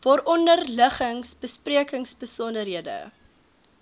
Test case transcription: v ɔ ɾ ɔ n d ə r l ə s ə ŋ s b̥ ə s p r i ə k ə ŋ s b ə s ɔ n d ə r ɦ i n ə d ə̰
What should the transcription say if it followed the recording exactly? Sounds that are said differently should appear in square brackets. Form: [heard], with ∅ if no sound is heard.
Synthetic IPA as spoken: v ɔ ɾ ɔ n d ə r l ə [χ] ə ŋ s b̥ ə s p r i ə k ə ŋ s b ə s ɔ n d ə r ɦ i [∅] ə d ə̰